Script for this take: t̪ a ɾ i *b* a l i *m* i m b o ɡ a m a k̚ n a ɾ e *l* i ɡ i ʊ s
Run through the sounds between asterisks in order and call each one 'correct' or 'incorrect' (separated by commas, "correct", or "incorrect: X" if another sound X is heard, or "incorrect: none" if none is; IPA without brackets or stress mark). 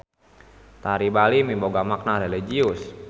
correct, correct, correct